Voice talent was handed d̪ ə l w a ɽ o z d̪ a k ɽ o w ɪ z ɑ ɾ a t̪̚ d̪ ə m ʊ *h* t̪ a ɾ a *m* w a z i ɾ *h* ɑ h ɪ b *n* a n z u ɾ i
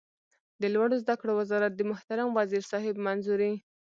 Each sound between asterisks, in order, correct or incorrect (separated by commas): correct, correct, incorrect, incorrect